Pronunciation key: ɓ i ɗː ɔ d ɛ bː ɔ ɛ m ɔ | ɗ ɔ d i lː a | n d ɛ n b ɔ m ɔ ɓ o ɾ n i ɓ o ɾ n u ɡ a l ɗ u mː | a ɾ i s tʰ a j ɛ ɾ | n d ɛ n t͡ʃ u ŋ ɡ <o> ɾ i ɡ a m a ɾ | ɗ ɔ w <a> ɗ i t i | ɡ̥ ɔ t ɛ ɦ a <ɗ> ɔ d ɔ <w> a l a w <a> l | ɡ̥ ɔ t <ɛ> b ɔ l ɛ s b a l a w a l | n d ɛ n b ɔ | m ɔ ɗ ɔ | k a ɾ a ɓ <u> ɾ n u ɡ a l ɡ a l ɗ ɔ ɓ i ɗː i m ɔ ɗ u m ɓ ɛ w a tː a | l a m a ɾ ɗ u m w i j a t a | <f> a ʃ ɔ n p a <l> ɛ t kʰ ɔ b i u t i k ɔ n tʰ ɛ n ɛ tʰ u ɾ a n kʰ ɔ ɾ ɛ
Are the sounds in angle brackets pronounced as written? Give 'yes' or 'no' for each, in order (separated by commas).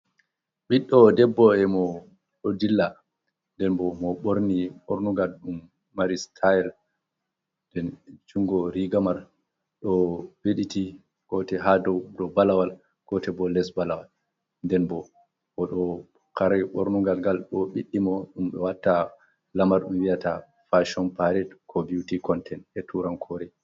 no, no, no, no, yes, yes, no, yes, no